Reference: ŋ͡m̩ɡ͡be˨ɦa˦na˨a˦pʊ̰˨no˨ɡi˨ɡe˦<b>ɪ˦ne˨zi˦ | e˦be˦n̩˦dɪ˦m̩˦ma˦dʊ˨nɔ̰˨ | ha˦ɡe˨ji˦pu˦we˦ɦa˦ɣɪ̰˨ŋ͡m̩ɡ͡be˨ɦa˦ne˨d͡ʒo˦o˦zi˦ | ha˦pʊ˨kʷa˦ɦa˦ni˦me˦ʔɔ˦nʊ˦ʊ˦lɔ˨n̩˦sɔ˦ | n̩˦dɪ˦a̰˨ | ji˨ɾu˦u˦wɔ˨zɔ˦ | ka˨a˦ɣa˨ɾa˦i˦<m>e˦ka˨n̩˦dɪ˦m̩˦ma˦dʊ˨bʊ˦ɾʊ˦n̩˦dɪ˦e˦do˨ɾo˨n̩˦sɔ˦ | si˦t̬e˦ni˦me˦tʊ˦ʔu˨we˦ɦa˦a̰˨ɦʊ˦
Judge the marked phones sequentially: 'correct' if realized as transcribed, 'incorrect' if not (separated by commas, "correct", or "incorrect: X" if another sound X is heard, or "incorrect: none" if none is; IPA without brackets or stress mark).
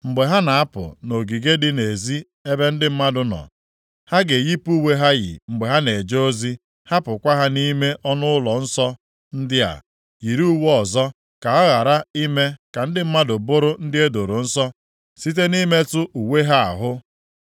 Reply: incorrect: d, correct